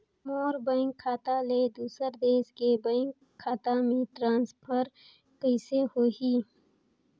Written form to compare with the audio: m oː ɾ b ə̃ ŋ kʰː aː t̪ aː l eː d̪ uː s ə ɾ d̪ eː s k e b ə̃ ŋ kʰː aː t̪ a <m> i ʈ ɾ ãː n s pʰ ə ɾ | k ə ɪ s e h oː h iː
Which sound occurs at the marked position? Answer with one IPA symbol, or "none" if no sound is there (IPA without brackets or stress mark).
m